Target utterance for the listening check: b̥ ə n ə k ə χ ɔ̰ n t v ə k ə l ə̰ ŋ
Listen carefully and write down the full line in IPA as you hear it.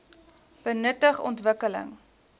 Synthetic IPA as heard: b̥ ə n ə t ə χ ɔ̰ n t v ə k ə l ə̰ ŋ